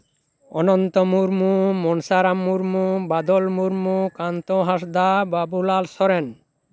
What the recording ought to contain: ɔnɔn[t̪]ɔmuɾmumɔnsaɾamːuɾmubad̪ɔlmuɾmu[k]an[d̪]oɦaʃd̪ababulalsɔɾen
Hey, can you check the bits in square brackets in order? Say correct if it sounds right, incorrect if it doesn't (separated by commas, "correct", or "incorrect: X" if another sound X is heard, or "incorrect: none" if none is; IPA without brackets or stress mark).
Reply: correct, correct, incorrect: t̪